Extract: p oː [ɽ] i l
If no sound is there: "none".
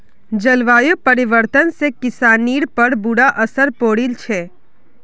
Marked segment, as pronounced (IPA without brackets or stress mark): ɽ